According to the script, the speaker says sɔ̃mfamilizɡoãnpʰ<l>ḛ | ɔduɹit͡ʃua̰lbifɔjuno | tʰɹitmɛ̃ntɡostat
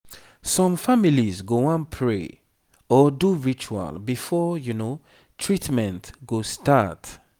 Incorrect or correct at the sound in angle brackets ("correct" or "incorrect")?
incorrect